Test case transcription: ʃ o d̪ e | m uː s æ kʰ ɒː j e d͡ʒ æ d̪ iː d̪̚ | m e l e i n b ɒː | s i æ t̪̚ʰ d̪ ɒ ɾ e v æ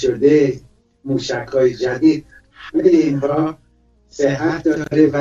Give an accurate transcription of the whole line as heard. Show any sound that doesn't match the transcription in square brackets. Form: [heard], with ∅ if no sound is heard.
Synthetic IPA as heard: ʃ o d̪ e | m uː [ʃ] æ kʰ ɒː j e d͡ʒ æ d̪ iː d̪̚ | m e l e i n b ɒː | s [e] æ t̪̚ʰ d̪ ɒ ɾ e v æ

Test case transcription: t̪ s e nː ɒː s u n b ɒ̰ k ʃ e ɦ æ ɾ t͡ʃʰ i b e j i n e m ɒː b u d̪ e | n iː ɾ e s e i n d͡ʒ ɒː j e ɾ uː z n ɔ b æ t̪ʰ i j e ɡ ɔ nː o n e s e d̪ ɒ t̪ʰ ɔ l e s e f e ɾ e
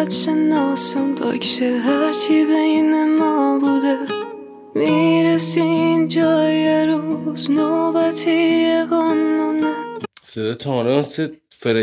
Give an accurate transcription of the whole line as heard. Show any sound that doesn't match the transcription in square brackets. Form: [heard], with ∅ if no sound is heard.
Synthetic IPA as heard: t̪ [ʃ] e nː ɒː s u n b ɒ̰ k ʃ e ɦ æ ɾ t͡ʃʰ i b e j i n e m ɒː b u d̪ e | [m] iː ɾ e s [i] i n d͡ʒ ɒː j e ɾ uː z n [o] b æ t̪ʰ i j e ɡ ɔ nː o n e s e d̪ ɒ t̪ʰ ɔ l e s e f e ɾ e

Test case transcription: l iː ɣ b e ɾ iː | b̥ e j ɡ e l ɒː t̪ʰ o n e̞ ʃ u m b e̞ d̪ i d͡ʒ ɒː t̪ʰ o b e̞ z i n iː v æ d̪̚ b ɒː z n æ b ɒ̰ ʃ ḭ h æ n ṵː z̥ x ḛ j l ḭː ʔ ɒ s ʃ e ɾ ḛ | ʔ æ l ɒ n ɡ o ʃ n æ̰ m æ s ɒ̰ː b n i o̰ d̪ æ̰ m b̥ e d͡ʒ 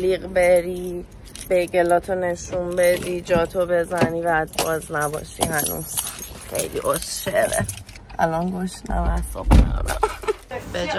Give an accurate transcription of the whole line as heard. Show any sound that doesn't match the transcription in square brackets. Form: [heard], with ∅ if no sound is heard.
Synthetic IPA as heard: l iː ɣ b e ɾ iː | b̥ e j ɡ e l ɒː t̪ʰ o n e̞ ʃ u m b e̞ d̪ i d͡ʒ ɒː t̪ʰ o b e̞ z [æ] n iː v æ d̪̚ b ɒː z n æ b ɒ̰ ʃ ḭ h æ n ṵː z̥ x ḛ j l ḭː ʔ [o] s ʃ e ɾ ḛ | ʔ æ l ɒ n ɡ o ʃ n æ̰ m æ s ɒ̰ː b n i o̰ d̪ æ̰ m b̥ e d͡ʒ

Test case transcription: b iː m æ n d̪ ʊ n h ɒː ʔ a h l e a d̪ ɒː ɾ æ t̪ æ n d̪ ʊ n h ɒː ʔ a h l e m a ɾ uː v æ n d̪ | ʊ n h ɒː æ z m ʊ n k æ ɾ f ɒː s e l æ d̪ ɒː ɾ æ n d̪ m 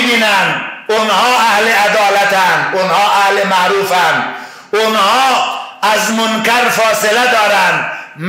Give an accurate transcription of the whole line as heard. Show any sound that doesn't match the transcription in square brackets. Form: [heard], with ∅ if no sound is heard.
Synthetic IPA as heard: b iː [n] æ n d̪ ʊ n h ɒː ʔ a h l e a d̪ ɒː [l] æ t̪ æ n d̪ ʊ n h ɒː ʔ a h l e m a ɾ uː [f] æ n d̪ | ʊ n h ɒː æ z m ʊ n k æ ɾ f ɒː s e l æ d̪ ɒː ɾ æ n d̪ m

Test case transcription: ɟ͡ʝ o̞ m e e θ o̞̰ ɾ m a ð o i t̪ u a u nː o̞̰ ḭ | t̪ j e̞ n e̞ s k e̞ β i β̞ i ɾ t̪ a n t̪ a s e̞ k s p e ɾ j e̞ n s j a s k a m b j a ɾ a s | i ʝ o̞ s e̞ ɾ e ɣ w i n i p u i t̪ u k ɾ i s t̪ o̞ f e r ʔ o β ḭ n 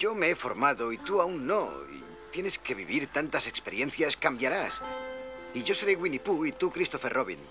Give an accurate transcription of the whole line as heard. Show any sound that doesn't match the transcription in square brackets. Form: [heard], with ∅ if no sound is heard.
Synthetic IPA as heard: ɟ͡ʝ o̞ m e e [f] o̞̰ ɾ m a ð o i t̪ u a u nː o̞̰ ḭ | t̪ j e̞ n e̞ s k e̞ β i β̞ i ɾ t̪ a n t̪ a s e̞ k s p e ɾ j e̞ n [θ] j a s k a m b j a ɾ a s | i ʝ o̞ s e̞ ɾ e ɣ w i n i p u i t̪ u k ɾ i s t̪ o̞ f e r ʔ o β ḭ n

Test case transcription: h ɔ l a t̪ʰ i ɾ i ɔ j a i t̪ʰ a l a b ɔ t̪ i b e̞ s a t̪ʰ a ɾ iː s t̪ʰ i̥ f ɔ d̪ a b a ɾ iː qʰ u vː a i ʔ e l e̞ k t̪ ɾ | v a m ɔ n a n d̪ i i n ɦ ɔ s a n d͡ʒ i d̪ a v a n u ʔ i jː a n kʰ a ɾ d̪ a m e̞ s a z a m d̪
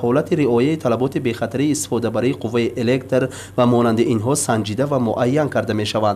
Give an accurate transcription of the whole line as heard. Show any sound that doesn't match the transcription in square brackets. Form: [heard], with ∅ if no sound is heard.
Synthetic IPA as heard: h ɔ l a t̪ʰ i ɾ i ɔ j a i t̪ʰ a l a b ɔ t̪ i b e̞ [χ] a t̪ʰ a ɾ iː s [t̪] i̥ f ɔ d̪ a b a ɾ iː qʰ u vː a i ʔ e l e̞ k t̪ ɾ | v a m ɔ n a n d̪ i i n ɦ ɔ s a n d͡ʒ i d̪ a v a [m] u ʔ [a] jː a n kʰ a ɾ d̪ a m e̞ [ʃ] a [v] a [n] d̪

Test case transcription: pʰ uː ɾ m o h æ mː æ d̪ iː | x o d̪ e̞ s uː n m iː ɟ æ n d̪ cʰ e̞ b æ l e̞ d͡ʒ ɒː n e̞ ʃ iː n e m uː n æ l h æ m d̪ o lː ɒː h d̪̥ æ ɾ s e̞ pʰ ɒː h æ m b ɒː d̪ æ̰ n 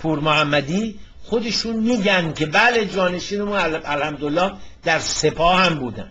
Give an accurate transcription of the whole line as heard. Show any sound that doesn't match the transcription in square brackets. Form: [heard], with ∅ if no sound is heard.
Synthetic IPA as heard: pʰ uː ɾ m o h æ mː æ d̪ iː | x o d̪ e̞ [ʃ] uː n m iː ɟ æ n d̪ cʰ e̞ b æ l e̞ d͡ʒ ɒː n e̞ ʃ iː n e m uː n æ l h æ m d̪ o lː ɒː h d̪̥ æ ɾ s e̞ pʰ ɒː h æ m b [uː] d̪ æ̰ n

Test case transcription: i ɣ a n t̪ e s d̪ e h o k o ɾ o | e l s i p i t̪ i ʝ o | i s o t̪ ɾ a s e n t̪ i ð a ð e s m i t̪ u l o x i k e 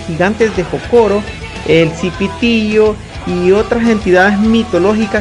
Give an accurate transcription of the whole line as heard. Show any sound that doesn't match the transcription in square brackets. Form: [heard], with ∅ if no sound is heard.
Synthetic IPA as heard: i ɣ a n t̪ e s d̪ e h o k o ɾ o | e l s i p i t̪ i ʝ o | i [∅] o t̪ ɾ a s e n t̪ i ð a ð e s m i t̪ [o] l o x i k [a]

